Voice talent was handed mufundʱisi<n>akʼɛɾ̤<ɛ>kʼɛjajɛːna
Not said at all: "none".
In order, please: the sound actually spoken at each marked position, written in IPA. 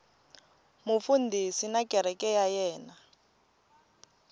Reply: n, ɛ

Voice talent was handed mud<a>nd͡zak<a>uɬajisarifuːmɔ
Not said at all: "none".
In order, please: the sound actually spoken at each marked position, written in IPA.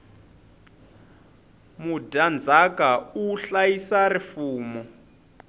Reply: a, a

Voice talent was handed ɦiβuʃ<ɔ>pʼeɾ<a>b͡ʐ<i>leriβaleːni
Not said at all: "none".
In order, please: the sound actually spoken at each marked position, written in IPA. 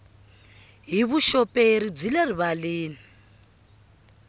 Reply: ɔ, i, i

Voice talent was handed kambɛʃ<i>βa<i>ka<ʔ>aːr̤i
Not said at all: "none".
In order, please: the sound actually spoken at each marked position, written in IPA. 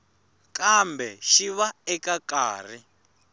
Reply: i, ɛ, k

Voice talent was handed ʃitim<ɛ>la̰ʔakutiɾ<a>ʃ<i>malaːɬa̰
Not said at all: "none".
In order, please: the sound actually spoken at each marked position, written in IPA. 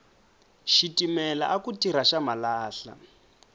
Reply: ɛ, a, a

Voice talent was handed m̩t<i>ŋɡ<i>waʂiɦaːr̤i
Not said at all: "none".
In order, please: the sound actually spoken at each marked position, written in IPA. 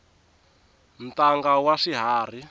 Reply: a, a

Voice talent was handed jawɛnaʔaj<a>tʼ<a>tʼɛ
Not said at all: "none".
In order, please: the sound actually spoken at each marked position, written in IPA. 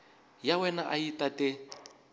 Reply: i, a

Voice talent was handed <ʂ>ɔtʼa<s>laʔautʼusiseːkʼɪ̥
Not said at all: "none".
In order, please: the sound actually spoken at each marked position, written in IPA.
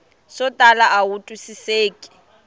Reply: s, none

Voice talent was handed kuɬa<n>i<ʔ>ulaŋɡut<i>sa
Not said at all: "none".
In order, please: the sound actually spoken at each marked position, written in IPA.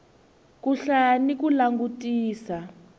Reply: n, k, iː

